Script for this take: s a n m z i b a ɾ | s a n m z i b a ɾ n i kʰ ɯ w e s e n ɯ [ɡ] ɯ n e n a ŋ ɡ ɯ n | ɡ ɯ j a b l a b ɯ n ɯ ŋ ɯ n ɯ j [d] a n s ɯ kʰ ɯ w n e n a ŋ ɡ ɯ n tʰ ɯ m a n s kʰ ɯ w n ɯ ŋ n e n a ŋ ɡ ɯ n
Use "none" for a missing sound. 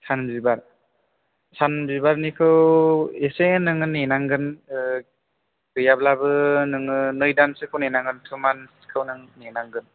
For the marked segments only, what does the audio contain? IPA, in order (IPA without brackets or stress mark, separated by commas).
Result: ŋ, d